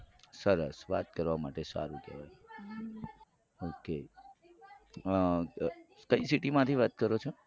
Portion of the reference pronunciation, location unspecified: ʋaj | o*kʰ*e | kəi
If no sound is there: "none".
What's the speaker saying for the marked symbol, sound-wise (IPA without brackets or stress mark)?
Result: k